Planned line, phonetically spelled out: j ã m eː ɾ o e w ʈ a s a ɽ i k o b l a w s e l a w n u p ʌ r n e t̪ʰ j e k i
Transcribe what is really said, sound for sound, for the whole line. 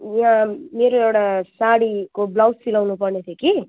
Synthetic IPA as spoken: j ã m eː ɾ o e w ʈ a s a ɽ i k o b l a w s i l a w n u p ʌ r n e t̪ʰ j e k i